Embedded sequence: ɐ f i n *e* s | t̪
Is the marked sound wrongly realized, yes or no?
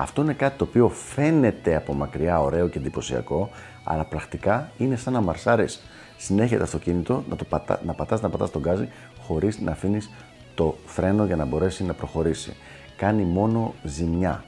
yes